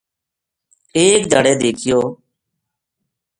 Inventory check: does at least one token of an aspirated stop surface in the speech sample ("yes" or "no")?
yes